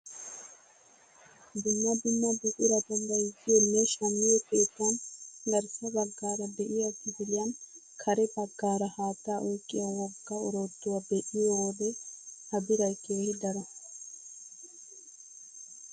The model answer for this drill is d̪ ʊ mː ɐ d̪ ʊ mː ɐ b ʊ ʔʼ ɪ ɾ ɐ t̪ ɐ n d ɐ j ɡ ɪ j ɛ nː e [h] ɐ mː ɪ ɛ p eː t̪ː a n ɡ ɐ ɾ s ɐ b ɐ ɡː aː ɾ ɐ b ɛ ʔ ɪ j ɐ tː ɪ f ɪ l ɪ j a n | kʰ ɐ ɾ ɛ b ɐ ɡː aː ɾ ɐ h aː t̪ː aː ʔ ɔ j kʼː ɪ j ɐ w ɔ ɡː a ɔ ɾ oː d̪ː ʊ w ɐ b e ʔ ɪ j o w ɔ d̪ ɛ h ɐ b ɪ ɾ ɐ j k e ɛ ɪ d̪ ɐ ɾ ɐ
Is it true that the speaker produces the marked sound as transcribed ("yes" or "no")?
no